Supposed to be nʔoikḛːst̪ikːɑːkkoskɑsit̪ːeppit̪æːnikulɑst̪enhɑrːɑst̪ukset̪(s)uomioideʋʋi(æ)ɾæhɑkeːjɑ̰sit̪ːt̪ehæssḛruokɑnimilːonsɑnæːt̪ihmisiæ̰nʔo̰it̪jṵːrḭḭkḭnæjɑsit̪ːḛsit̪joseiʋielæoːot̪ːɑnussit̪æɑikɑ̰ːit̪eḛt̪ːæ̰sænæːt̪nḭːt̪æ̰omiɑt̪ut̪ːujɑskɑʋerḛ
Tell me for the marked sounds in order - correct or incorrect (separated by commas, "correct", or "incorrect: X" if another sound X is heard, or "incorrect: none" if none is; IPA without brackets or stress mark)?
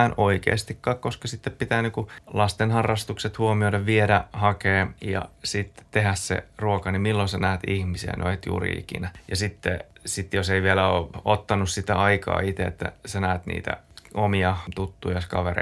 incorrect: h, incorrect: e